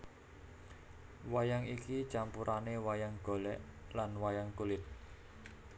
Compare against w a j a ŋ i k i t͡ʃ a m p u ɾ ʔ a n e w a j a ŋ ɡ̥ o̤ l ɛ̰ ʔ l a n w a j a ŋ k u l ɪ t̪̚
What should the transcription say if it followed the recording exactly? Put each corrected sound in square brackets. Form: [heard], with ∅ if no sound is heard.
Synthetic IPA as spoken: w a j a ŋ i k i t͡ʃ a m p u ɾ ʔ a n e w a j a ŋ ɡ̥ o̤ l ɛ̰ ʔ l a n w a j a ŋ k u l ɪ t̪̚

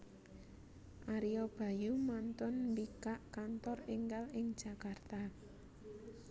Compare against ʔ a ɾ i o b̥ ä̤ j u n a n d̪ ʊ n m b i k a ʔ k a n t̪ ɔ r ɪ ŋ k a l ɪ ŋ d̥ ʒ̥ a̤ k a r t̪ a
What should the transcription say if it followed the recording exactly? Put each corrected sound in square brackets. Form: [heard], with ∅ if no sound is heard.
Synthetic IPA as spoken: ʔ a ɾ i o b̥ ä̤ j u [m] a n [t̪] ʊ n m b i k a ʔ k a n t̪ ɔ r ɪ ŋ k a l ɪ ŋ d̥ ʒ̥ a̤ k a r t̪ a

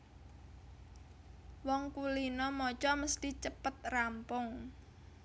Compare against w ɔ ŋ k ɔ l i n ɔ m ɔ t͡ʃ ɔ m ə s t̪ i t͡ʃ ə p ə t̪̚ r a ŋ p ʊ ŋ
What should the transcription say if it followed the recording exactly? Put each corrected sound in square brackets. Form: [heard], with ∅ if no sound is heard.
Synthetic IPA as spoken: w ɔ ŋ k [u] l i n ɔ m ɔ t͡ʃ ɔ m ə s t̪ i t͡ʃ ə p ə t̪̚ r a [m] p ʊ ŋ

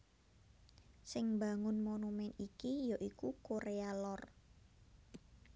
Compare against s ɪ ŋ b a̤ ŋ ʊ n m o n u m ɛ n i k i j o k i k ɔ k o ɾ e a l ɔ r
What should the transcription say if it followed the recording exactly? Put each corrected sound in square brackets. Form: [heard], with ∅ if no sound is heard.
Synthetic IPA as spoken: s ɪ ŋ b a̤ ŋ ʊ n m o n u m ɛ n i k i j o [ʔ] i k [u] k o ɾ e a l ɔ r

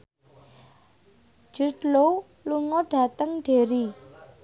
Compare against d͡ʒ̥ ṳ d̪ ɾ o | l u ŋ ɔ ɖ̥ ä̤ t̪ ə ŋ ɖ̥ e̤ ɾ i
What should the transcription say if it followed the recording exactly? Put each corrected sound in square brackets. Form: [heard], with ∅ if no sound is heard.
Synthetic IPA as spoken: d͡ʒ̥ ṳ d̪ [l] o | l u ŋ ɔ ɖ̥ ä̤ t̪ ə ŋ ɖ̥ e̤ ɾ i

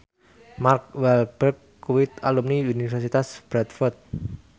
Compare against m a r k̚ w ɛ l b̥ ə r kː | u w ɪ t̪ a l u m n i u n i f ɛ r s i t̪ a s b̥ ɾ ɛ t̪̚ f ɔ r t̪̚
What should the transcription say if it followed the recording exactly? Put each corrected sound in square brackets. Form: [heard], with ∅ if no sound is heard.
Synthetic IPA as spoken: m a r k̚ w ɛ l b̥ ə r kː | u w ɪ t̪ a l u m n i u n i f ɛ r s i t̪ a s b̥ ɾ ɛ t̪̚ f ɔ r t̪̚

